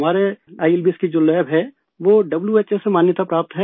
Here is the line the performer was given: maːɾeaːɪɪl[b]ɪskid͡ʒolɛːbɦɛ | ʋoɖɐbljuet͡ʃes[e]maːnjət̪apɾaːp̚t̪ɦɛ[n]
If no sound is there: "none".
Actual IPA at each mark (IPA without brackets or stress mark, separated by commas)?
b, e, none